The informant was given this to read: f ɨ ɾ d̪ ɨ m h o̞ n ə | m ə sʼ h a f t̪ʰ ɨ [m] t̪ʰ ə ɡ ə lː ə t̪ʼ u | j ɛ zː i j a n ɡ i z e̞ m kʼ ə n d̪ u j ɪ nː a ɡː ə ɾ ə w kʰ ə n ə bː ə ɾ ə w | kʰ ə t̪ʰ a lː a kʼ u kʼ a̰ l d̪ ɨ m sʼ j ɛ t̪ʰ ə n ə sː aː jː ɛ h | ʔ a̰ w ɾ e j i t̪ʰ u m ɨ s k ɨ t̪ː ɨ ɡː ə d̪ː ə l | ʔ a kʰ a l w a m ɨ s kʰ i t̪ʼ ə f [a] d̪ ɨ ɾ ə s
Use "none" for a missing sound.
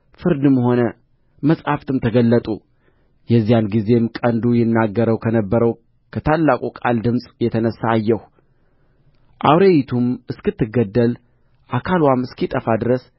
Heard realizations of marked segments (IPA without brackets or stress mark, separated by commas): m, a